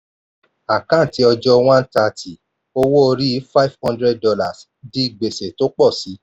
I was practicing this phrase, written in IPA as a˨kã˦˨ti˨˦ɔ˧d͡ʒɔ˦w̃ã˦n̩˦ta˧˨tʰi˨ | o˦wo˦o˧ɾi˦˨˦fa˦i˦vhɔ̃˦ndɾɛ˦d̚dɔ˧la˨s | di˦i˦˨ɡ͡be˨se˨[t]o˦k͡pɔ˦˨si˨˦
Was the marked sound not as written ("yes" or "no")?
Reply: no